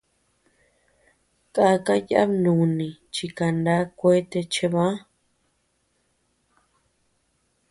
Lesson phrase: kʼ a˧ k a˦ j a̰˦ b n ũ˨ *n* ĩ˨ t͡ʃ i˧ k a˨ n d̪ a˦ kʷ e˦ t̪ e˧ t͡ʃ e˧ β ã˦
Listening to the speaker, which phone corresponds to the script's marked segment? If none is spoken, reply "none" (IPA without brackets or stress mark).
n